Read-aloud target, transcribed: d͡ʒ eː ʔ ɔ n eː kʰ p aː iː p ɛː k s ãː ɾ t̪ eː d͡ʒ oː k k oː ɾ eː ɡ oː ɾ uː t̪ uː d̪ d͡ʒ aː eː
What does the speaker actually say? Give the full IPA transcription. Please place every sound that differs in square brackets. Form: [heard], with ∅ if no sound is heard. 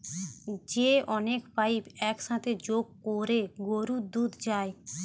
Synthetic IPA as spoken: d͡ʒ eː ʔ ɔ n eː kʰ p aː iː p ɛː k s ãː [∅] t̪ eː d͡ʒ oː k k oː ɾ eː ɡ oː ɾ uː [d̪] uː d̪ d͡ʒ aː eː